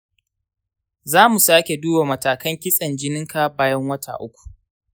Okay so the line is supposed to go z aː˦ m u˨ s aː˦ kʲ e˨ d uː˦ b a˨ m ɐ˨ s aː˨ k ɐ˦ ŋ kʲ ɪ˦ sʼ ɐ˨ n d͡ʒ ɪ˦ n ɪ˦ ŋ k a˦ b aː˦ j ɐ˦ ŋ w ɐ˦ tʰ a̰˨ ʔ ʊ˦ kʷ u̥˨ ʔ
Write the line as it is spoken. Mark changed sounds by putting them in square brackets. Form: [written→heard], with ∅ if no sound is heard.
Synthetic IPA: z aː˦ m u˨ s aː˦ kʲ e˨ d uː˦ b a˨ m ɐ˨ [s→t] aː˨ k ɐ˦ ŋ kʲ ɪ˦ sʼ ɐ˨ n d͡ʒ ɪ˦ n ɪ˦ ŋ k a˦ b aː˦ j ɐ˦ ŋ w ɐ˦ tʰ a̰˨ ʔ ʊ˦ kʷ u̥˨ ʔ